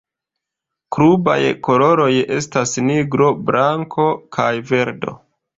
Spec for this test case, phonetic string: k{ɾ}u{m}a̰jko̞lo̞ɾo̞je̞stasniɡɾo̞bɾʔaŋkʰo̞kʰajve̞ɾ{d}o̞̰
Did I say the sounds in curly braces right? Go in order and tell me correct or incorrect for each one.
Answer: correct, incorrect: b, correct

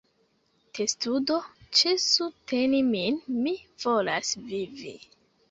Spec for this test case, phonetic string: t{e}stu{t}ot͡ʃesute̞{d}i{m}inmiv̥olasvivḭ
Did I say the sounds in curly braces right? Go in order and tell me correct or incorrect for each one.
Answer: correct, incorrect: d, incorrect: n, correct

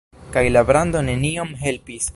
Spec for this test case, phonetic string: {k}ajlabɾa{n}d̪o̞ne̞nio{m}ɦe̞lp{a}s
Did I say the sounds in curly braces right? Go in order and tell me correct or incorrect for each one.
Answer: correct, correct, correct, incorrect: i

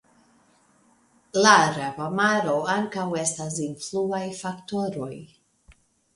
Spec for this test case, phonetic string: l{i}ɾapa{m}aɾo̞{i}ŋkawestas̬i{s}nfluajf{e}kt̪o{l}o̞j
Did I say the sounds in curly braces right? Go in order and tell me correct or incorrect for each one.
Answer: incorrect: a, correct, incorrect: a, incorrect: none, incorrect: a, incorrect: ɾ

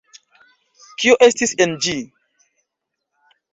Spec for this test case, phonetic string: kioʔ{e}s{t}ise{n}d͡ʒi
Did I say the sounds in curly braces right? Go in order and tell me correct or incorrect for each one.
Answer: correct, correct, correct

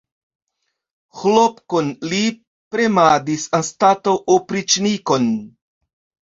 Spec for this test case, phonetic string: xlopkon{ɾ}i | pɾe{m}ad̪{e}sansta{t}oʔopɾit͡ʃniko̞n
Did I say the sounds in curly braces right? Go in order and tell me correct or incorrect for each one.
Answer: incorrect: l, correct, incorrect: i, correct

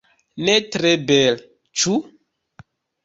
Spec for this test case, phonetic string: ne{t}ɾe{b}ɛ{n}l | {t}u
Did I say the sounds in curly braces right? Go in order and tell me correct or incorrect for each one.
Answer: correct, correct, incorrect: none, incorrect: t͡ʃ

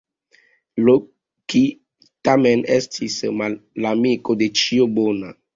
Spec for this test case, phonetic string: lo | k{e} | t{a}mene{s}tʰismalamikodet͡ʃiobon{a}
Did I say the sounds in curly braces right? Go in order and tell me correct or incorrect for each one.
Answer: incorrect: i, correct, correct, correct

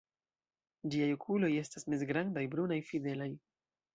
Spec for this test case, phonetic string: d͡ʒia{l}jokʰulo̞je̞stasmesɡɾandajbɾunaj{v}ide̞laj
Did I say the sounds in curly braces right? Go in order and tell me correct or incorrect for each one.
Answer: incorrect: none, incorrect: f

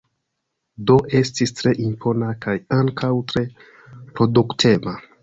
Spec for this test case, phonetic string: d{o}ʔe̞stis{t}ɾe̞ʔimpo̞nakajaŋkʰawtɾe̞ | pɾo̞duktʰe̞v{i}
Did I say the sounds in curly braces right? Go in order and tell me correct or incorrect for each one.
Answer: correct, correct, incorrect: a

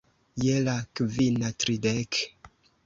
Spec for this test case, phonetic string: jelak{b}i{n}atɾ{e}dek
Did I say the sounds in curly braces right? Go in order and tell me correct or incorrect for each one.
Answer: incorrect: v, correct, incorrect: i

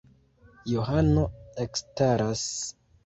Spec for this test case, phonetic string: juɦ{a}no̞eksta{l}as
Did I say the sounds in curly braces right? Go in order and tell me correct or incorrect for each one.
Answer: correct, incorrect: ɾ

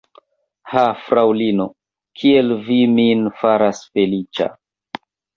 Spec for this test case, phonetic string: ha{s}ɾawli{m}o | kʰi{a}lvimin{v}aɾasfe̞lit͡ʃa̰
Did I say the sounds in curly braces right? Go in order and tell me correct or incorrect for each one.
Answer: incorrect: f, incorrect: n, incorrect: e, incorrect: f

